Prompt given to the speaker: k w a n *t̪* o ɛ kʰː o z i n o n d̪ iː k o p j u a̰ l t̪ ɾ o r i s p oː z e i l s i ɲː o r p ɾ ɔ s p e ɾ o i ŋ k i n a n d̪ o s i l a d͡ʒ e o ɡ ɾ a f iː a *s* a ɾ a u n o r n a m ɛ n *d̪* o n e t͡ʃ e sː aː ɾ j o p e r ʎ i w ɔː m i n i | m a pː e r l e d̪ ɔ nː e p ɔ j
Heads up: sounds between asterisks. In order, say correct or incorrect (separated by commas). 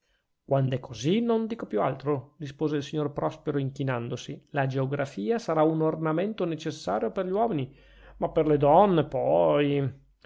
incorrect, correct, incorrect